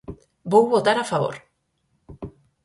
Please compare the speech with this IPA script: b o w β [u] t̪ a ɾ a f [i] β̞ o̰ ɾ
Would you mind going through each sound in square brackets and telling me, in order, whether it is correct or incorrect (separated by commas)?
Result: incorrect, incorrect